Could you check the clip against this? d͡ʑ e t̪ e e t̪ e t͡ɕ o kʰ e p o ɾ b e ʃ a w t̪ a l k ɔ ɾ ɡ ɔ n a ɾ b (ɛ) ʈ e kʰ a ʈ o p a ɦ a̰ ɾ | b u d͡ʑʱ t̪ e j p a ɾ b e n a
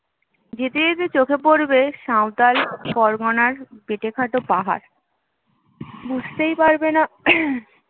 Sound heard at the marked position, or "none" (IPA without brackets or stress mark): e